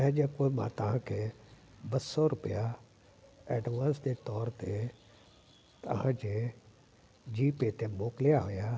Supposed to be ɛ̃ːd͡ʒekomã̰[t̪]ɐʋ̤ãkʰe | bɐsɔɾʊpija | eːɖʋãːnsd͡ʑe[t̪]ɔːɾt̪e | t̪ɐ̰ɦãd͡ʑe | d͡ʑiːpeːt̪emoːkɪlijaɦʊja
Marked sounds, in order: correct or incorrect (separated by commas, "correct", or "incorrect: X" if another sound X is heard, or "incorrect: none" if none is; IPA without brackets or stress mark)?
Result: correct, correct